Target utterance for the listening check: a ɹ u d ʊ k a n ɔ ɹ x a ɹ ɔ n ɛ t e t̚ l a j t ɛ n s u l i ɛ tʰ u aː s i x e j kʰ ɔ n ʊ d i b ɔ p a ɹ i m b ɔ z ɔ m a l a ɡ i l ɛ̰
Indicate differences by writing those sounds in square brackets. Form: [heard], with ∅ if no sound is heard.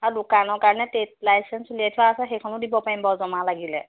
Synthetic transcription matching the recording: a ɹ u d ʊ k a n ɔ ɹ [k] a ɹ ɔ n ɛ t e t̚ l a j [s] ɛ n s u l i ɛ tʰ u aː s [ɛ] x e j kʰ ɔ n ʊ d i b ɔ p a ɹ i m b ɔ z ɔ m a l a ɡ i l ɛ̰